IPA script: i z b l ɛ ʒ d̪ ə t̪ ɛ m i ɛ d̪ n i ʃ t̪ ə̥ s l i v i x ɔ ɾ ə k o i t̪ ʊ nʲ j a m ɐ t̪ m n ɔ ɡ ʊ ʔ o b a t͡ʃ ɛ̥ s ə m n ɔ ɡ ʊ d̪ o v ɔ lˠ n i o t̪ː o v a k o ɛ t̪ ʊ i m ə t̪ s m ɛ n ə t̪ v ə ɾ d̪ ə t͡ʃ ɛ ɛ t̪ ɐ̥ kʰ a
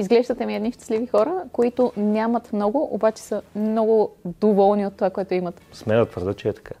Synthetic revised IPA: i z ɡ l ɛ ʒ d̪ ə t̪ ɛ m i ɛ d̪ n i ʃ t̪ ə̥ s l i v i x ɔ ɾ ə k o i t̪ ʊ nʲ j a m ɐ t̪ m n ɔ ɡ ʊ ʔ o b a t͡ʃ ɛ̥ s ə m n ɔ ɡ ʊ d̪ o v ɔ lˠ n i o t̪ː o v a k o ɛ t̪ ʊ i m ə t̪ s m ɛ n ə t̪ v ə ɾ d̪ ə t͡ʃ ɛ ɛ t̪ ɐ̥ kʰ a